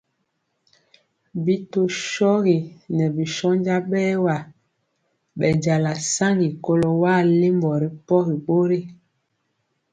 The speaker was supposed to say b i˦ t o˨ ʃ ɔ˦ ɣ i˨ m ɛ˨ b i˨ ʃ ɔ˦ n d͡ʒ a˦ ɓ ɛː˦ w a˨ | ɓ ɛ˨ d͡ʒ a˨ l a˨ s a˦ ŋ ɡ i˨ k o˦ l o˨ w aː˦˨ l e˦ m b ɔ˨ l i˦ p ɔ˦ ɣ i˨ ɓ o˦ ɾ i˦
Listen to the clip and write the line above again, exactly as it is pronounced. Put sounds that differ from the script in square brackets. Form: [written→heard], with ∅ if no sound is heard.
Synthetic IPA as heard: b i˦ t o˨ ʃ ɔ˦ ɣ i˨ [m→n] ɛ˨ b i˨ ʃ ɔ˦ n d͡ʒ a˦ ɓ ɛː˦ w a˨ | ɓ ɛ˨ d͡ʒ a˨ l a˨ s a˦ ŋ ɡ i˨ k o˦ l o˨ w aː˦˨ l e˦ m b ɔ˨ [l→ɾ] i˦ p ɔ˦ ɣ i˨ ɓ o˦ ɾ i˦